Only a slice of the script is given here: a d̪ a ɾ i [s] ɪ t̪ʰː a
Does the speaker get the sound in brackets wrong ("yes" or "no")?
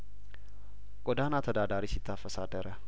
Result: no